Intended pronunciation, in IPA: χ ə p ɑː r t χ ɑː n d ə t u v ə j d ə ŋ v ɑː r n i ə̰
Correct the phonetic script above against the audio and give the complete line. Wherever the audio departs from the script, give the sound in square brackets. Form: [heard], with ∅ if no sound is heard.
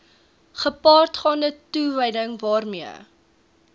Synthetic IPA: χ ə p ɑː r t χ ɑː n d ə t u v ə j d ə ŋ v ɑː r [m] i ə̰

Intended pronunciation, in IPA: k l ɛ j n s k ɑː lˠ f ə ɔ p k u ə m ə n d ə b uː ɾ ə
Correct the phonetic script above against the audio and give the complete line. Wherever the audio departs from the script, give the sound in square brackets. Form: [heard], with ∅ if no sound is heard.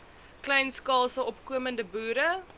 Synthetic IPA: k l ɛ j n s k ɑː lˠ [s] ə ɔ p k u ə m ə n d ə b uː ɾ ə

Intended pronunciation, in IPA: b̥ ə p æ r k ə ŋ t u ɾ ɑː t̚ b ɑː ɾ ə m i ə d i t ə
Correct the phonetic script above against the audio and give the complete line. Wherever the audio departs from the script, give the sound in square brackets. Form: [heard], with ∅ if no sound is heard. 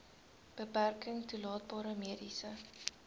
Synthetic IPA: b̥ ə p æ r k ə ŋ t u [l] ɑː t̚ b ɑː ɾ ə m i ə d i [s] ə

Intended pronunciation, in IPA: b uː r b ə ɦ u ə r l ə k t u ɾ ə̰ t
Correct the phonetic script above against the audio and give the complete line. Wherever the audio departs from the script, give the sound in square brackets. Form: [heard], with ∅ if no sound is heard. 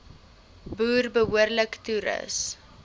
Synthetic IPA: b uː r b ə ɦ u ə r l ə k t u ɾ ə̰ [s]

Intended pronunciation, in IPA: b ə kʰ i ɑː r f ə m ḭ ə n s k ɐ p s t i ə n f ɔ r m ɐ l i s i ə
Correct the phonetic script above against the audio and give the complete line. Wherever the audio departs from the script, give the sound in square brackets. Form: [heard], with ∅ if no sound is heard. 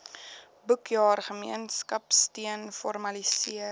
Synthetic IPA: b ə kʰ [j] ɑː r [χ] ə m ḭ ə n s k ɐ p s t i ə n f ɔ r m ɐ l i s i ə

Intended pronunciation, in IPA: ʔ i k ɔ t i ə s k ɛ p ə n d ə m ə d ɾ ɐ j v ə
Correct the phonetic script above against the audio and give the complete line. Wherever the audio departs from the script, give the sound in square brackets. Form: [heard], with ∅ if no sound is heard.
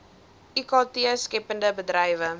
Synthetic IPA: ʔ i k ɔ t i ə s k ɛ p ə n d ə [b] ə d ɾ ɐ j v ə

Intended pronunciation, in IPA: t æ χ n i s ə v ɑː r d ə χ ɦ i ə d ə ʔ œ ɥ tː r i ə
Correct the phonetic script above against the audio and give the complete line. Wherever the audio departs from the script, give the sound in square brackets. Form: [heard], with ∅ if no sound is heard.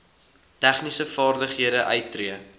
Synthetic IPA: t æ χ n i s ə [f] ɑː r d ə χ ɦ i ə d ə ʔ œ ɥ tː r i ə

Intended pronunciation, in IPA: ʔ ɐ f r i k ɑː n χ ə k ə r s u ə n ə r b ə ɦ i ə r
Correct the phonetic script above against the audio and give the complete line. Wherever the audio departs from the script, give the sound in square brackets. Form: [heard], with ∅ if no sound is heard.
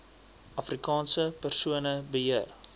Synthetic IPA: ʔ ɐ f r i k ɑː n [s] ə [p] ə r s u ə n ə [∅] b ə ɦ i ə r

